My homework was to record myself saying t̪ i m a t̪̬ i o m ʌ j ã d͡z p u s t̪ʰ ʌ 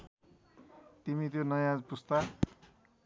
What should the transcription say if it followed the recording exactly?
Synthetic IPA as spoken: t̪ i m i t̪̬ j o n ʌ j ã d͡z p u s t̪ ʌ